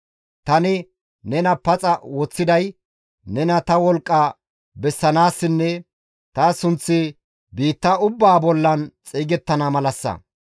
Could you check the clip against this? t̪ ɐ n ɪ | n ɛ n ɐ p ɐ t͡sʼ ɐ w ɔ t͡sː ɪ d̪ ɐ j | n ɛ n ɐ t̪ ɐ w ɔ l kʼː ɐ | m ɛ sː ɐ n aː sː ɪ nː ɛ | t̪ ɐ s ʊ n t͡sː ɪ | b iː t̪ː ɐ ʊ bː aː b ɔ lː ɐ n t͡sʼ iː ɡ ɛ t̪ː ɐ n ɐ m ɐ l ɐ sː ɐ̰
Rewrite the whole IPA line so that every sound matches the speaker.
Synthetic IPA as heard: t̪ ɐ n ɪ | n ɛ n ɐ p ɐ t͡sʼ ɐ w ɔ t͡sː ɪ d̪ ɐ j | n ɛ n ɐ t̪ ɐ w ɔ l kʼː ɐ | b ɛ sː ɐ n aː sː ɪ nː ɛ | t̪ ɐ s ʊ n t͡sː ɪ | b iː t̪ː ɐ ʊ bː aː b ɔ lː ɐ n t͡sʼ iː ɡ ɛ t̪ː ɐ n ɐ m ɐ l ɐ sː ɐ̰